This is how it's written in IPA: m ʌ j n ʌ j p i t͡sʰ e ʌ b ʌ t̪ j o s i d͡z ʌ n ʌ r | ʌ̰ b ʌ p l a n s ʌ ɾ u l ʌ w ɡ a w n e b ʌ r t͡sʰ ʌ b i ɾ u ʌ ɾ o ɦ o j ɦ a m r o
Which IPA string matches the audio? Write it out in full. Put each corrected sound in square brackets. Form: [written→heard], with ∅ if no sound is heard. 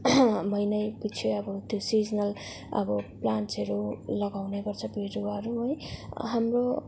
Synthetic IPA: m ʌ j n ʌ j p i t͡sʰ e ʌ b ʌ t̪ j o s i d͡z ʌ n ʌ [r→l] | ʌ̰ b ʌ p l a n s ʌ ɾ u l ʌ [w→∅] ɡ a w n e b ʌ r t͡sʰ ʌ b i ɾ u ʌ ɾ [o→u] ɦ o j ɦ a m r o